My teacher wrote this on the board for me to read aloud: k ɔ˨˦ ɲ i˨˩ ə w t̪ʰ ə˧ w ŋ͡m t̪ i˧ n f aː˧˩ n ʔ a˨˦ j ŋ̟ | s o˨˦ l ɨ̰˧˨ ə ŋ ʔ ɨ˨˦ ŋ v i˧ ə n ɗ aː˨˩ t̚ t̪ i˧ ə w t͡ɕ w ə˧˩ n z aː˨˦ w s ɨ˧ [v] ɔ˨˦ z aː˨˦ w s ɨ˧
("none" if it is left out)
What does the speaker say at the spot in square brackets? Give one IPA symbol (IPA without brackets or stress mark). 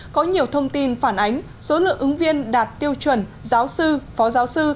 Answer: f